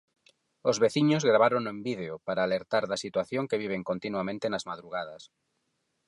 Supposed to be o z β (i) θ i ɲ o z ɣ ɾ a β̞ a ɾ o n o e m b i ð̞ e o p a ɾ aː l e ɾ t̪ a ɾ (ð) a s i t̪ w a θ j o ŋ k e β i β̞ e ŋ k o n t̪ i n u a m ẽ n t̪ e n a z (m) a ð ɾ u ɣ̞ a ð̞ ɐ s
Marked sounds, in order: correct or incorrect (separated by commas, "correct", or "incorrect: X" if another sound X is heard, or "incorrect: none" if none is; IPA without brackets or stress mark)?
incorrect: e, correct, correct